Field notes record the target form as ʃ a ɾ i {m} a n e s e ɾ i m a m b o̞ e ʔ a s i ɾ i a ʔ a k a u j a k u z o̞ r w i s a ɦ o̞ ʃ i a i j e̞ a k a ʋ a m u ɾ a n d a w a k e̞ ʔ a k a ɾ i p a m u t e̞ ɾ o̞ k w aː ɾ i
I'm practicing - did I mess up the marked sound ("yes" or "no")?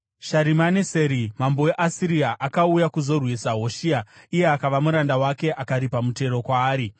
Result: no